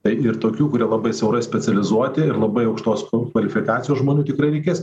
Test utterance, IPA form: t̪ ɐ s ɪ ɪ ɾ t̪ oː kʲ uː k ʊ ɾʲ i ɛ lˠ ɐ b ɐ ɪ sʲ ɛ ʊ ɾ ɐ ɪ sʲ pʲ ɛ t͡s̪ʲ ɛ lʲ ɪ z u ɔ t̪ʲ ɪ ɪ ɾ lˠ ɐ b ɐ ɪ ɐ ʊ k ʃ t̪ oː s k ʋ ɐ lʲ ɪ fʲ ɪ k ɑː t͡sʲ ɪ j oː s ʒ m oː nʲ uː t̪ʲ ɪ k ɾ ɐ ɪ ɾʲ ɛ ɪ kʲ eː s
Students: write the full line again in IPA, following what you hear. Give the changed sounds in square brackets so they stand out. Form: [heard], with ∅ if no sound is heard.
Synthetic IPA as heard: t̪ ɐ [∅] ɪ ɪ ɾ t̪ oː kʲ uː k ʊ ɾʲ i ɛ lˠ ɐ b ɐ ɪ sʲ ɛ ʊ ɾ ɐ ɪ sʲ pʲ ɛ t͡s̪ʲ ɛ lʲ ɪ z u ɔ t̪ʲ ɪ ɪ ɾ lˠ ɐ b ɐ ɪ ɐ ʊ k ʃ t̪ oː s k ʋ ɐ lʲ ɪ fʲ ɪ k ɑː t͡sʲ ɪ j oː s ʒ m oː nʲ uː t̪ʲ ɪ k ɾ ɐ ɪ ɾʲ ɛ ɪ kʲ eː s

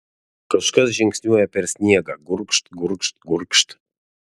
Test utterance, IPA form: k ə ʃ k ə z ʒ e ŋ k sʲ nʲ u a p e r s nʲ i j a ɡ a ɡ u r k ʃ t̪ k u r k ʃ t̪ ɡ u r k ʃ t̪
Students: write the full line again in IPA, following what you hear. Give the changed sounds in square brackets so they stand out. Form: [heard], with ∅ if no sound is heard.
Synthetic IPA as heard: k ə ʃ k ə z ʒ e ŋ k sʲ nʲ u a p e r s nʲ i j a ɡ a ɡ u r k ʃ t̪ [ɡ] u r k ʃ t̪ ɡ u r k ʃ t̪

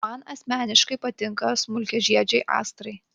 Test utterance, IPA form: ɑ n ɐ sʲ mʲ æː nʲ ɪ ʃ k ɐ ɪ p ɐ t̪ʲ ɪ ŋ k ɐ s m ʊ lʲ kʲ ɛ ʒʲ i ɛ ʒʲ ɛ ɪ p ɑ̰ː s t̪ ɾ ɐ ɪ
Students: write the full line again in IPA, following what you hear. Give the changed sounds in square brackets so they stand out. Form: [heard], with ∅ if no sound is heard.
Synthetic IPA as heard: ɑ n ɐ sʲ mʲ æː nʲ ɪ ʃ k ɐ ɪ p ɐ t̪ʲ ɪ ŋ k ɐ s m ʊ lʲ kʲ ɛ ʒʲ i ɛ [d͡ʒʲ] ɛ ɪ [ʔ] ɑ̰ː s t̪ ɾ ɐ ɪ

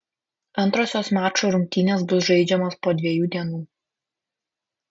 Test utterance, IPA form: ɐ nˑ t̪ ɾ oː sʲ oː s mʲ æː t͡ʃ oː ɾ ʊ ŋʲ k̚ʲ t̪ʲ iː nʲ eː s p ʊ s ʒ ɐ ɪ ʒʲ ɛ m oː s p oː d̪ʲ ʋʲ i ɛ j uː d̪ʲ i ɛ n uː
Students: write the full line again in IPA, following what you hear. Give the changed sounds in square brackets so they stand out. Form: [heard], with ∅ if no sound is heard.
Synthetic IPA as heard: ɐ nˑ t̪ ɾ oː sʲ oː s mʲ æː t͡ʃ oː ɾ ʊ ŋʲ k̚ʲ t̪ʲ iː nʲ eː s [b] ʊ s ʒ ɐ ɪ [d͡ʒʲ] ɛ m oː s p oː d̪ʲ ʋʲ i ɛ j uː d̪ʲ i ɛ n uː

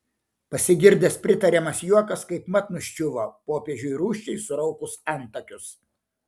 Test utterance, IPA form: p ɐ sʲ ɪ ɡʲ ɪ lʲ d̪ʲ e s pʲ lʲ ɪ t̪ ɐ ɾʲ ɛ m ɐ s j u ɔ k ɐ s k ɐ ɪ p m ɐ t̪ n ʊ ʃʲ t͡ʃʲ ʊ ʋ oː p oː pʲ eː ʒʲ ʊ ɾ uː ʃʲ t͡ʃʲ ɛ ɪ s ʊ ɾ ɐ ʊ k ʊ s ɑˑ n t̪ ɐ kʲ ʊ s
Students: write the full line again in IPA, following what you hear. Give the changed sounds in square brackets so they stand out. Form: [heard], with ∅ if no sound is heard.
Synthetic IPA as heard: p ɐ sʲ ɪ ɡʲ ɪ [ɾʲ] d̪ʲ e s pʲ [ɾʲ] ɪ t̪ ɐ ɾʲ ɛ m ɐ s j u ɔ k ɐ s k ɐ ɪ p m ɐ t̪ n ʊ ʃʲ t͡ʃʲ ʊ ʋ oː p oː pʲ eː ʒʲ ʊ ɾ uː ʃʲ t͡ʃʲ ɛ ɪ s ʊ ɾ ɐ ʊ k ʊ s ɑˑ n t̪ ɐ kʲ ʊ s

